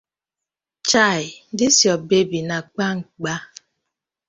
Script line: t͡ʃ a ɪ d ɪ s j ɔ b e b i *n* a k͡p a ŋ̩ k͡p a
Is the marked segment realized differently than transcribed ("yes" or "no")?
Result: no